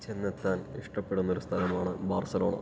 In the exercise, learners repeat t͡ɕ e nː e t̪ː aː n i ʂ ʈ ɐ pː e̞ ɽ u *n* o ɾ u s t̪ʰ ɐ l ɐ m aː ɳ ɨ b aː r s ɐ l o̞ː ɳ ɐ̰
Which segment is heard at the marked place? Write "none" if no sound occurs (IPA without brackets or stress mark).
nː